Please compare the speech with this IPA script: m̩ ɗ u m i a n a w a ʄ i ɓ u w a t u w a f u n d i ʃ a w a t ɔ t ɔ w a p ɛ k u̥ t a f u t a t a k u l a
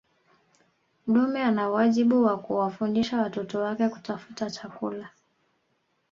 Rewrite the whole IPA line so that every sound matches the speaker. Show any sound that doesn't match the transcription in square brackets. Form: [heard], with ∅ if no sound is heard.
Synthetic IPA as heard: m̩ ɗ u m [ɛ] a n a w a ʄ i ɓ u w a [k] u w a f u n d i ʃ a w a t ɔ t ɔ w a [k] ɛ k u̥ t a f u t a [t͡ʃ] a k u l a